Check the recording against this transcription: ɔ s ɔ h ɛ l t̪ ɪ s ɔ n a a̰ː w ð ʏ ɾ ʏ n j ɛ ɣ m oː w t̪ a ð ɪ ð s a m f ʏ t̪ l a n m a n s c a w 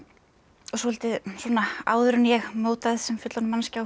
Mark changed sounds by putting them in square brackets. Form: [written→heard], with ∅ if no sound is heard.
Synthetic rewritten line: ɔ s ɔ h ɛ l t̪ ɪ s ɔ n a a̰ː w ð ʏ ɾ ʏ n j ɛ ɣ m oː w t̪ a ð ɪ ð s [a→ɛ] m f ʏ t̪ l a n m a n s c a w